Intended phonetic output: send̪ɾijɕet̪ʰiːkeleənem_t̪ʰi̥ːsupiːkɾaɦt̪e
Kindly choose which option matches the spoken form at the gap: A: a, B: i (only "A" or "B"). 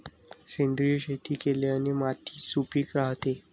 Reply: A